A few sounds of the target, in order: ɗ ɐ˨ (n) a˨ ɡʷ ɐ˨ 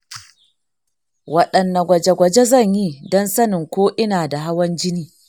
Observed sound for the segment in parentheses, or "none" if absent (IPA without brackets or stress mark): nː